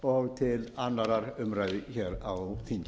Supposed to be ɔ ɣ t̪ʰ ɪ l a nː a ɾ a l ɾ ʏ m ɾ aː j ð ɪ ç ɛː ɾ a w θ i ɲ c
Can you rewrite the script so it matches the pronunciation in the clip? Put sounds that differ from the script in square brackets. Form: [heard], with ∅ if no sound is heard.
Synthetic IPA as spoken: ɔ ɣ t̪ʰ ɪ l a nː a ɾ a [∅] ɾ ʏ m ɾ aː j ð ɪ ç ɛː ɾ a w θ i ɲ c